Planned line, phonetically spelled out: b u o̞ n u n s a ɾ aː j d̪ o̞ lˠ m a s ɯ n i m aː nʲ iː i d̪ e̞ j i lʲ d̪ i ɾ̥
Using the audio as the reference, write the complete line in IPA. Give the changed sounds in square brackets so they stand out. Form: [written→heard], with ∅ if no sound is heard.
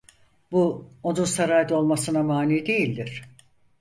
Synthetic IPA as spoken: b u o̞ n u n s a ɾ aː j d̪ o̞ lˠ m a s ɯ n [i→a] m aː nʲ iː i d̪ e̞ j i lʲ d̪ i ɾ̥